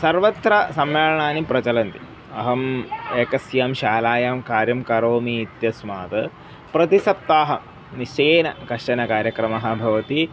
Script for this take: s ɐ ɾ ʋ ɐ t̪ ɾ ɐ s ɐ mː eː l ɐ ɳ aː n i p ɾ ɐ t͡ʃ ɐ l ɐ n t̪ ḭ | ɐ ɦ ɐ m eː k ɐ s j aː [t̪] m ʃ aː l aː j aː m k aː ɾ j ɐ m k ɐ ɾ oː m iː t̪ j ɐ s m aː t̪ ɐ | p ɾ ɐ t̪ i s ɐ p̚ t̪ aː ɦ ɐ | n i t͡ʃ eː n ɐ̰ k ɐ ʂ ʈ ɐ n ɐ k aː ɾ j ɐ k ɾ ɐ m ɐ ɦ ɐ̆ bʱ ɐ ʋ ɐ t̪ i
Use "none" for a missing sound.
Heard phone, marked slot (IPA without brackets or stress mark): none